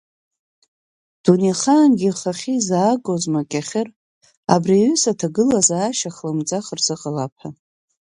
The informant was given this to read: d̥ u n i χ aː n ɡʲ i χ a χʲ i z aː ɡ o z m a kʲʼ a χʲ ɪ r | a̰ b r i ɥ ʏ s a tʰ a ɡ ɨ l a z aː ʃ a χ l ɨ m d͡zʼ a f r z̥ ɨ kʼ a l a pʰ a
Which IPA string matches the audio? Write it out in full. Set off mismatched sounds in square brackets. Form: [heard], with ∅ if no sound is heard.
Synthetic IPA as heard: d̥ u n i χ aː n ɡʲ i χ a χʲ i z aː ɡ o z m a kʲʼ a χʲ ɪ r | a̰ b r i ɥ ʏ s a tʰ a ɡ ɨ l a z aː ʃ a χ l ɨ m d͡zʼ a [χ] r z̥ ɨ [qʼ] a l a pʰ a